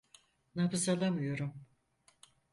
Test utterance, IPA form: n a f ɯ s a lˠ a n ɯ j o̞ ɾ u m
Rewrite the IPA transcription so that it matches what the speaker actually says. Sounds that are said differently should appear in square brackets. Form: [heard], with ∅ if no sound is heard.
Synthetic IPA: n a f ɯ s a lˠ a [m] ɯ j o̞ ɾ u m